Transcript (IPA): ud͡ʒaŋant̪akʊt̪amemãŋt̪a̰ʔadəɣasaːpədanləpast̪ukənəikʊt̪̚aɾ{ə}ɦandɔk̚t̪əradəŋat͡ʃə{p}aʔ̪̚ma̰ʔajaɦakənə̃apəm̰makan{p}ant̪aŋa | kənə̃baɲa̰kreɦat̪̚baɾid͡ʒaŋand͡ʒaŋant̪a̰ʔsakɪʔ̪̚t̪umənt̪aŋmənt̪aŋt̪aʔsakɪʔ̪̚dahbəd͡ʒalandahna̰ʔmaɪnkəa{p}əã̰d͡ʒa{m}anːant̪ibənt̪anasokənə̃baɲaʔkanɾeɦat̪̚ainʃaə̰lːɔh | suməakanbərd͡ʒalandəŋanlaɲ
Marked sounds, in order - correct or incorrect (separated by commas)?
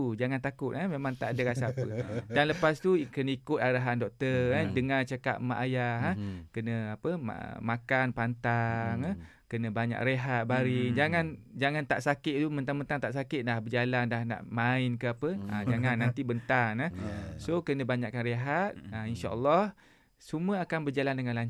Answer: incorrect, incorrect, correct, correct, incorrect